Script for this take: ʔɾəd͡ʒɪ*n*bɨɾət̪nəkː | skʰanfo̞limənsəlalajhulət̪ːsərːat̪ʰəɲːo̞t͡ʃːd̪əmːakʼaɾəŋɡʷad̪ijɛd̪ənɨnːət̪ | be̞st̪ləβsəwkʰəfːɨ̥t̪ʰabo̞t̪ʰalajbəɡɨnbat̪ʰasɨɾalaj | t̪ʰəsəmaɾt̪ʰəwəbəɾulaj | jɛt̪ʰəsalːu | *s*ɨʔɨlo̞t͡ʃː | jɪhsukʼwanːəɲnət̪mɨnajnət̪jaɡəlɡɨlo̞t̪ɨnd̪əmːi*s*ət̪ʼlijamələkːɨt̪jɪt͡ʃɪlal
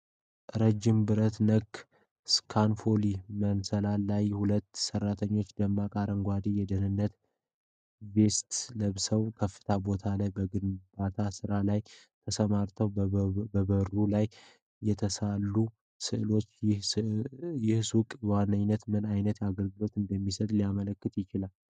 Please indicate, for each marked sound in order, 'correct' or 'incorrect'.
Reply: incorrect, correct, correct

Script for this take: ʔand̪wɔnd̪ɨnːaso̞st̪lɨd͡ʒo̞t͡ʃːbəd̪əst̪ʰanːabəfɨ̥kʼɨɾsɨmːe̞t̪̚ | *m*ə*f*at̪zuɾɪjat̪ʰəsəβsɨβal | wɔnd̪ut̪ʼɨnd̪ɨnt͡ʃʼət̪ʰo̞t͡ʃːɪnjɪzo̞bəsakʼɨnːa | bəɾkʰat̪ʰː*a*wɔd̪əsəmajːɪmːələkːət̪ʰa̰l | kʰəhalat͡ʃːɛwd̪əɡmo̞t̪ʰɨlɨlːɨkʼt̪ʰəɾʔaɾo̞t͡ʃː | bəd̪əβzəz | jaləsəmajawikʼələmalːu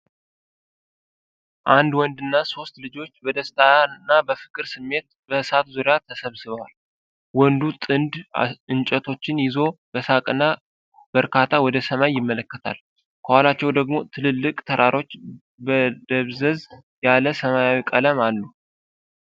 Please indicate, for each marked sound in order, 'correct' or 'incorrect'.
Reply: incorrect, incorrect, correct

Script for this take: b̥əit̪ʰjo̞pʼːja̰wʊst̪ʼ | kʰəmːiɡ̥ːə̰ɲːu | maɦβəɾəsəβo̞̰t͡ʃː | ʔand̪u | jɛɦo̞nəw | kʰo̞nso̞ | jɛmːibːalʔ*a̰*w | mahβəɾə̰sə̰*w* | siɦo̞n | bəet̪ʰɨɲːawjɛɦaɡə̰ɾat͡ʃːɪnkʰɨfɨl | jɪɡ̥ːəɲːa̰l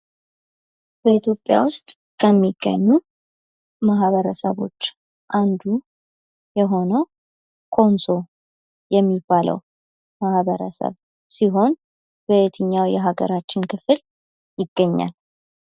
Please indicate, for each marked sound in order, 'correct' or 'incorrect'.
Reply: incorrect, incorrect

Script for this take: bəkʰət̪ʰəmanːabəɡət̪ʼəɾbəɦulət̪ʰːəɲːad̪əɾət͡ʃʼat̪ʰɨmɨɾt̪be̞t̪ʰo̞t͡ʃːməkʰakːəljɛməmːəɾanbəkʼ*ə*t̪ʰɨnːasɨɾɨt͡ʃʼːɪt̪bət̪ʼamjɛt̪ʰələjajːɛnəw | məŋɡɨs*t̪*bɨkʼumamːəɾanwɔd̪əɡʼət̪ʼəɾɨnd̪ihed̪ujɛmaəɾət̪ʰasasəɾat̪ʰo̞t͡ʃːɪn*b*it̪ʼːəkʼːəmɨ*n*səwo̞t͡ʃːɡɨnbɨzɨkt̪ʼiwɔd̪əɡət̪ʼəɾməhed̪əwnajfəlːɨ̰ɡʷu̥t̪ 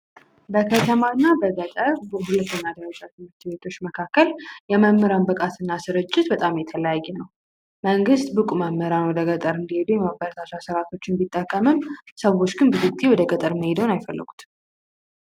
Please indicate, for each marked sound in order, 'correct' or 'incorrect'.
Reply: incorrect, correct, correct, incorrect

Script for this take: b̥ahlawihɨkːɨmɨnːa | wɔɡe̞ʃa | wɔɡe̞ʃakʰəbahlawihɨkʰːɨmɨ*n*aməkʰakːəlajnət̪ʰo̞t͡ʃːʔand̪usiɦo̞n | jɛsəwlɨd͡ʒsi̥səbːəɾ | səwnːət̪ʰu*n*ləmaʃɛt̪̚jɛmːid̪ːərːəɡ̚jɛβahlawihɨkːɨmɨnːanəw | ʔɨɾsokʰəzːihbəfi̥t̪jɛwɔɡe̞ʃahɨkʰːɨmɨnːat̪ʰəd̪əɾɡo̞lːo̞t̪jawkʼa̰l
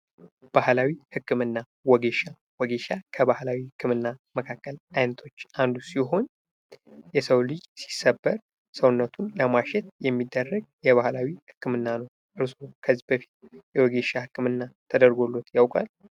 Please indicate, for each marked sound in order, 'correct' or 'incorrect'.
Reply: incorrect, correct

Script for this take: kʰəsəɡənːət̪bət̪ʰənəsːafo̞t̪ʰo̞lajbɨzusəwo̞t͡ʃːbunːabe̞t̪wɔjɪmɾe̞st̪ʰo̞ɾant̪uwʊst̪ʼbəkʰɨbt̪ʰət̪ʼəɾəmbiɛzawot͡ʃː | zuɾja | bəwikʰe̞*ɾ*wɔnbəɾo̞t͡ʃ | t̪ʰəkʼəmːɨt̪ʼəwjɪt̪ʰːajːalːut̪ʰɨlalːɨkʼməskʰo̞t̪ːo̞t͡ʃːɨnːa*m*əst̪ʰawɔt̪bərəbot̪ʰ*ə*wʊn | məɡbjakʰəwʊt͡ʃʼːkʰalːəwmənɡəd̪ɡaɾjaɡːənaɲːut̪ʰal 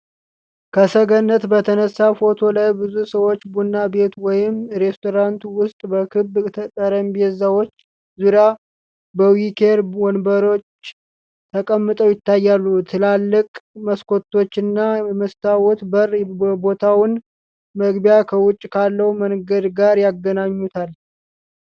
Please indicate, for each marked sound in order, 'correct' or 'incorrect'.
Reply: correct, correct, incorrect

